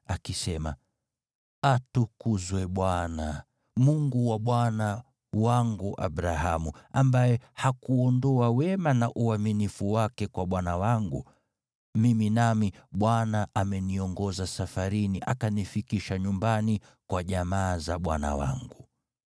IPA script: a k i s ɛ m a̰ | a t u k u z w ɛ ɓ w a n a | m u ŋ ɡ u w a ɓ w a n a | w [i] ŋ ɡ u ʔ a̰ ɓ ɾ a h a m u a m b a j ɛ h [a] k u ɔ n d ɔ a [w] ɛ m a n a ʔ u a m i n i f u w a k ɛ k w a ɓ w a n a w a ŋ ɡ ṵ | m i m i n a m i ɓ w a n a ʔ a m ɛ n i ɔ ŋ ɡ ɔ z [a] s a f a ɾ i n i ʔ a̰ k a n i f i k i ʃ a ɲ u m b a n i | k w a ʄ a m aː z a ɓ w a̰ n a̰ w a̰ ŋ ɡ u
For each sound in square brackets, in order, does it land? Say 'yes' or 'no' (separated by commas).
no, yes, yes, yes